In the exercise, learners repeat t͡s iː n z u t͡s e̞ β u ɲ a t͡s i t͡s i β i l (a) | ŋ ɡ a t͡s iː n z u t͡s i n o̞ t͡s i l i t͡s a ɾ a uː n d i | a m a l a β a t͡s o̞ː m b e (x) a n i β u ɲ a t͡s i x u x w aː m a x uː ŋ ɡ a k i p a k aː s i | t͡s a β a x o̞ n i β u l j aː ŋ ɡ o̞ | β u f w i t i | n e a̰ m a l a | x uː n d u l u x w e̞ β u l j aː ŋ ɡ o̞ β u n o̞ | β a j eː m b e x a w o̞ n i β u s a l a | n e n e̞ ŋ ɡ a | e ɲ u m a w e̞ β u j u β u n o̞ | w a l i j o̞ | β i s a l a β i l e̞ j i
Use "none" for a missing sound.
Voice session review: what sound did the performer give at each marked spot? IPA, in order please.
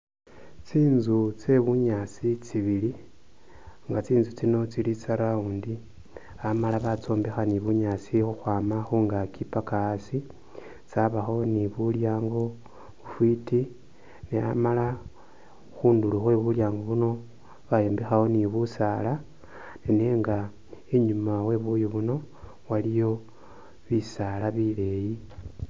i, x

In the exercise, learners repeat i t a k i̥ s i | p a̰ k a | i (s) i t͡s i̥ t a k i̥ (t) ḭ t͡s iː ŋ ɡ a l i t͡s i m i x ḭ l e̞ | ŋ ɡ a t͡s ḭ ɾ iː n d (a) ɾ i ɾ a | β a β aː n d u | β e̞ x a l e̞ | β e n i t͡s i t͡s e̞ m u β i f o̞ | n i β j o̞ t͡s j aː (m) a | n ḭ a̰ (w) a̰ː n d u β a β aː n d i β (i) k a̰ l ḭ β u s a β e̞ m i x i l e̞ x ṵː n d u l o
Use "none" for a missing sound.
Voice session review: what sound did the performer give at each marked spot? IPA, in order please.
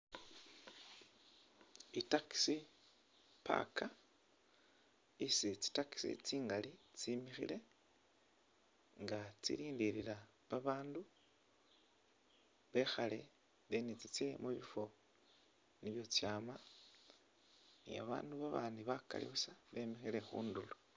s, s, i, m, β, a

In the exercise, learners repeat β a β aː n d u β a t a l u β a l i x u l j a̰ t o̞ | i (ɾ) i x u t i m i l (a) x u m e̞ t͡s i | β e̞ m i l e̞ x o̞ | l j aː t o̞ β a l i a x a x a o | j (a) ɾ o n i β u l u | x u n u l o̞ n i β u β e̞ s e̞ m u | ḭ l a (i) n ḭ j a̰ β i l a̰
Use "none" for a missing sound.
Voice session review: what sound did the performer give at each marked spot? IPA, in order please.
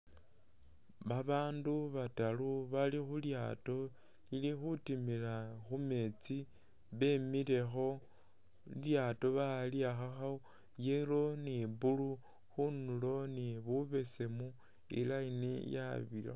l, a, e, i

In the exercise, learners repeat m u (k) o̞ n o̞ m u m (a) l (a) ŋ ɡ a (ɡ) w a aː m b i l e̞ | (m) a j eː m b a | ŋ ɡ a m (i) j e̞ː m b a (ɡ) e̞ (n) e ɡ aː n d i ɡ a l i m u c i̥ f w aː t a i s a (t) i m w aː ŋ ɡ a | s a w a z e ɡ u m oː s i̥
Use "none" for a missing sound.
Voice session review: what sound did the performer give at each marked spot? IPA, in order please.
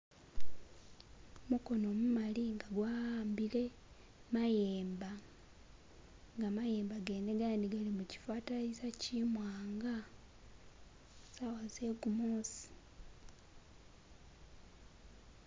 k, a, i, ɡ, m, a, ɡ, n, c

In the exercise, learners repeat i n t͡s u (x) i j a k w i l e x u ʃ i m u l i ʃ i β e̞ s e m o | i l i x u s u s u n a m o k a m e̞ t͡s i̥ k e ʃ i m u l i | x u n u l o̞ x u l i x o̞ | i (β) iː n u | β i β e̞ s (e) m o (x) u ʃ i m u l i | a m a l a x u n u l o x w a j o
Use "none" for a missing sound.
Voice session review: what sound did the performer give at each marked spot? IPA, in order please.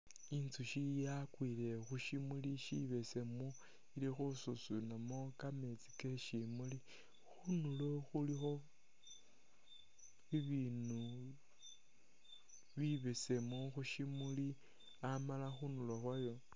ʃ, β, e, x

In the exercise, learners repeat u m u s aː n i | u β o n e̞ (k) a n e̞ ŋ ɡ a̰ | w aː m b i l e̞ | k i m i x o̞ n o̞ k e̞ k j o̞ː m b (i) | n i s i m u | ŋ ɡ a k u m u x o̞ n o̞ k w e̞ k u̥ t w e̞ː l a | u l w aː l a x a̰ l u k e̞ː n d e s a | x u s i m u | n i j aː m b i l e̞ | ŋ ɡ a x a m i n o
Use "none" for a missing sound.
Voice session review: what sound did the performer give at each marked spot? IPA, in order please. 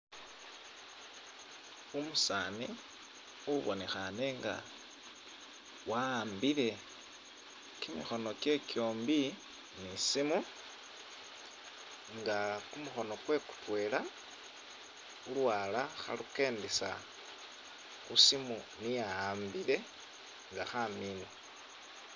x, i

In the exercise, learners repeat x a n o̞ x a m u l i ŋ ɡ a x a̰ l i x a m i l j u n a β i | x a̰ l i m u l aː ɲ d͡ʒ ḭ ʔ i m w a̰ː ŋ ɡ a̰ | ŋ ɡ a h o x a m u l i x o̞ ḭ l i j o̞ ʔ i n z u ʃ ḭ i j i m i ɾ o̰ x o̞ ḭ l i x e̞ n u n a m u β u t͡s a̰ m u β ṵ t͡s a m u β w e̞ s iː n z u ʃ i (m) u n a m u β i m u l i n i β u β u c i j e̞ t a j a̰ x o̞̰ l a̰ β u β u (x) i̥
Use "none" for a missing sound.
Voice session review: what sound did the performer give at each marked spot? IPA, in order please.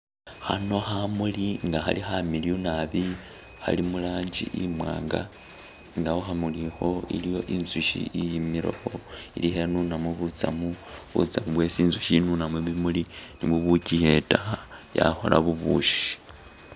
n, ʃ

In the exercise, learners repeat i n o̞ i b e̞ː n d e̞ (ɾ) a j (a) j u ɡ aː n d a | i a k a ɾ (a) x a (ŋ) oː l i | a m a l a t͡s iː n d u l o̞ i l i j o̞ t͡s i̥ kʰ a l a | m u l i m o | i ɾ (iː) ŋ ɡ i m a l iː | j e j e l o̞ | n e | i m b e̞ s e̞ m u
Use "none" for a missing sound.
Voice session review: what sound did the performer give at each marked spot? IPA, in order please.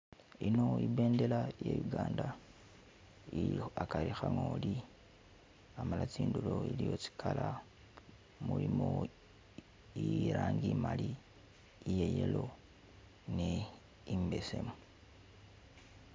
l, e, i, ŋ, aː

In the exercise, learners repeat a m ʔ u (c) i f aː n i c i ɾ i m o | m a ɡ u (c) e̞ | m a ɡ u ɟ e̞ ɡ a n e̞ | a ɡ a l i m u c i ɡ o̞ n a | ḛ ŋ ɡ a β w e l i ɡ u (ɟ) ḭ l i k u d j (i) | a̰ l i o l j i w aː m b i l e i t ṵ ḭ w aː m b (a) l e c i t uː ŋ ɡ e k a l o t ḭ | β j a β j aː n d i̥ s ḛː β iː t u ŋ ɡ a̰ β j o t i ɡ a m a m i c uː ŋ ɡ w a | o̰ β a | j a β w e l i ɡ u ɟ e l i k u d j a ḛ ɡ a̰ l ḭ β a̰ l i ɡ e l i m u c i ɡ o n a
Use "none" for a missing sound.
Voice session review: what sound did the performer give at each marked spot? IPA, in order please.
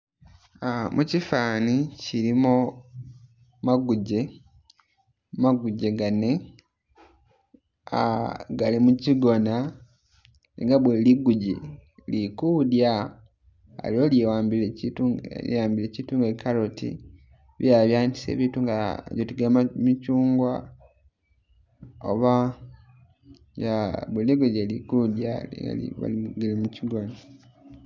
c, ɟ, ɟ, a, i

